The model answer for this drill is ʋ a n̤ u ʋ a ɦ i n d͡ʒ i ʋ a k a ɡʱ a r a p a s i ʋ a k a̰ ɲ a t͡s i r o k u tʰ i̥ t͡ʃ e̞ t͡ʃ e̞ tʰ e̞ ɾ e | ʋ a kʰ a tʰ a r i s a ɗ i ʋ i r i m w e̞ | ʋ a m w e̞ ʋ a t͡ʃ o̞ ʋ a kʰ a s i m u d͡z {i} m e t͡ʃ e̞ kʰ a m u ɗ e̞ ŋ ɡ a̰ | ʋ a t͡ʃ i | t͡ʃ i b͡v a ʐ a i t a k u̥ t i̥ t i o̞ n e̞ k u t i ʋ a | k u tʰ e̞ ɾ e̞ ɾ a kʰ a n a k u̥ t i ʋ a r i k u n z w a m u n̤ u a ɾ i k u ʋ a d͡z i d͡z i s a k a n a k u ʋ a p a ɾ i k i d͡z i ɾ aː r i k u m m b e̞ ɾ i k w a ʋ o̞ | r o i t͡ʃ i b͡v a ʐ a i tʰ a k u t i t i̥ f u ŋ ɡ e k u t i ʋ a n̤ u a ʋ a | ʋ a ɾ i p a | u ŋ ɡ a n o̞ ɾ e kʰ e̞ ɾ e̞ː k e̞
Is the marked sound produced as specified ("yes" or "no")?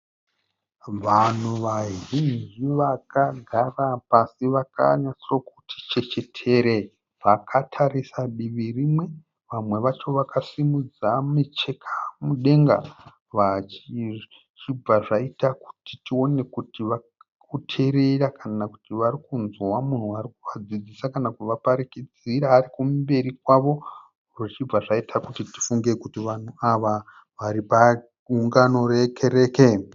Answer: no